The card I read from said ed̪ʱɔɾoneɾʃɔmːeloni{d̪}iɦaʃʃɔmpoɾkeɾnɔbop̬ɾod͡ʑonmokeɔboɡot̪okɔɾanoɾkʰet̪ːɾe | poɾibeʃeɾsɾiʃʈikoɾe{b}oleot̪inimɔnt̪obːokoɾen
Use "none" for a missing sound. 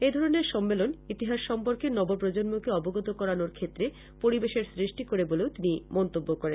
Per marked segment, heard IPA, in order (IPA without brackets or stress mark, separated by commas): t̪, b